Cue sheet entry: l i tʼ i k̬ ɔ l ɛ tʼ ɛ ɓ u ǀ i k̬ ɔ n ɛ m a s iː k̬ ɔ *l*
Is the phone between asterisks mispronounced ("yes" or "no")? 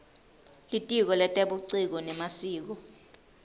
yes